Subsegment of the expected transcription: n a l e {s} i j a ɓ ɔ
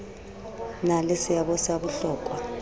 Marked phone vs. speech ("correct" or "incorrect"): correct